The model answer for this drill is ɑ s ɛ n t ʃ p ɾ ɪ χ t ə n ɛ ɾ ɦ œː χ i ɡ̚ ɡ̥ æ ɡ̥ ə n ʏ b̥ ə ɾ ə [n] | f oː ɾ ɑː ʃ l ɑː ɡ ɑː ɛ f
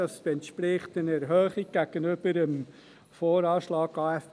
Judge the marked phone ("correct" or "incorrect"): incorrect